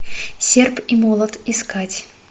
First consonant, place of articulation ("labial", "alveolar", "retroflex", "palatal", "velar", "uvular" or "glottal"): alveolar